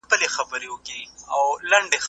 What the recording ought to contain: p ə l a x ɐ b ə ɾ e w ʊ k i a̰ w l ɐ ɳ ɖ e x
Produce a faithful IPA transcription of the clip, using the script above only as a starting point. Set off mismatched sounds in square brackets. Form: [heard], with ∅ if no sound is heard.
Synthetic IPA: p ə l [e] x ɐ b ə ɾ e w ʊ k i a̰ w l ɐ ɳ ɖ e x

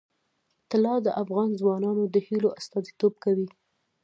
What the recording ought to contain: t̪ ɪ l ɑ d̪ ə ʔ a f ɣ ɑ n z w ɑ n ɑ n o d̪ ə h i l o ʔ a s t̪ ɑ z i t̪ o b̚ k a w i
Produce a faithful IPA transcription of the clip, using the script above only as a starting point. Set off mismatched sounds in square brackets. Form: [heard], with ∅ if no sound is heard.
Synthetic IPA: t̪ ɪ l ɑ d̪ ə ʔ a f ɣ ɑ n z w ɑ n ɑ n o d̪ ə h i l o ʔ a s t̪ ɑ z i t̪ o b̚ k a w i

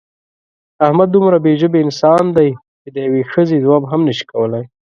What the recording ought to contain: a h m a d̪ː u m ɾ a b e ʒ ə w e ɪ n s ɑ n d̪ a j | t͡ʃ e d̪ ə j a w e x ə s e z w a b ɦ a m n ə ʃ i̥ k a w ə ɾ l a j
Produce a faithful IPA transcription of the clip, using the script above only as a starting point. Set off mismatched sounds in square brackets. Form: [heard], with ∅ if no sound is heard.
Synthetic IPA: a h m a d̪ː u m ɾ a b e ʒ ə [b] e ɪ n s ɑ n d̪ a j | t͡ʃ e d̪ ə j a w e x ə [z] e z w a b ɦ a m n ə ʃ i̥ k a w ə [∅] l a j

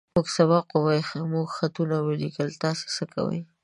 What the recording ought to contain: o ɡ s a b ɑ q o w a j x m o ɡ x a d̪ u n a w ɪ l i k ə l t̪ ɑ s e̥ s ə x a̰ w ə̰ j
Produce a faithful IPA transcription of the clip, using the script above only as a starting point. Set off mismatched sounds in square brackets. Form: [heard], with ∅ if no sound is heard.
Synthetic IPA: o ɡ s a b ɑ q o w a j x m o ɡ x a [t̪] u n a w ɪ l i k ə l t̪ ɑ s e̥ s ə [k] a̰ w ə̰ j

